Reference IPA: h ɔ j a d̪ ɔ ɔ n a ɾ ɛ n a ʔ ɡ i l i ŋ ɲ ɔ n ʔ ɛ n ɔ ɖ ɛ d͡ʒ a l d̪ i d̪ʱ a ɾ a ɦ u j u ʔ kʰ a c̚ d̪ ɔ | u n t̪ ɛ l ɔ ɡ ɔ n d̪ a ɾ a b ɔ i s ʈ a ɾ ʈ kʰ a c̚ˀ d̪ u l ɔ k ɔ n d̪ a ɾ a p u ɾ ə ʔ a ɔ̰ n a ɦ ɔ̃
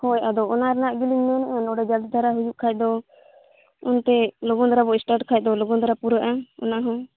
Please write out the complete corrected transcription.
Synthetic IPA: h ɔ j a d̪ ɔ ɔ n a ɾ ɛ n a ʔ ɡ i l i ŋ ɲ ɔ n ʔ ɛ n ɔ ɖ ɛ d͡ʒ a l d̪ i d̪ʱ a ɾ a ɦ u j u ʔ kʰ a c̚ d̪ ɔ | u n t̪ ɛ l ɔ ɡ ɔ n d̪ a ɾ a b ɔ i s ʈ a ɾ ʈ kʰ a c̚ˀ d̪ ɔ l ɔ ɡ ɔ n d̪ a ɾ a p u ɾ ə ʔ a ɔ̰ n a ɦ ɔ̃